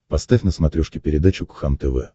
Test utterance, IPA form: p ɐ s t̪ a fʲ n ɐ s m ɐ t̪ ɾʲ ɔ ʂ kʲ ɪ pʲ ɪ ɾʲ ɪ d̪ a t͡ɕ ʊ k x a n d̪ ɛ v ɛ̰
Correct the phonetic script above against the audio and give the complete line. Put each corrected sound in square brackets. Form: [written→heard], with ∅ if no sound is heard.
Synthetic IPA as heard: p ɐ s t̪ a fʲ n [ɐ→ə] s m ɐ t̪ ɾʲ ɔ ʂ kʲ ɪ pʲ ɪ ɾʲ ɪ d̪ a t͡ɕ ʊ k x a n [d̪→t̪] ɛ v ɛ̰

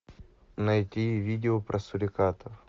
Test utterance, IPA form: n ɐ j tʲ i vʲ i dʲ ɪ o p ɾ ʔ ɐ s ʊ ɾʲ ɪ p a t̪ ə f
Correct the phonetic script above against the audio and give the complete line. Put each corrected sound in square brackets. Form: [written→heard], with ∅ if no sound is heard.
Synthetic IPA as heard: n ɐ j tʲ i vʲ i dʲ ɪ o p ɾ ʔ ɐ s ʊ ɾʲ ɪ [p→k] a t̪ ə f

